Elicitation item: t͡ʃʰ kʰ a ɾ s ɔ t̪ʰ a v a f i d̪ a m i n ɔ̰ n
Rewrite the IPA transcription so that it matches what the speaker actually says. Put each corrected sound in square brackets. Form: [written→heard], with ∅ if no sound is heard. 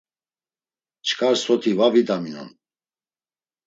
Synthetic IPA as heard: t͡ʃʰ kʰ a ɾ s ɔ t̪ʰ [a→i] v a [f→v] i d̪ a m i n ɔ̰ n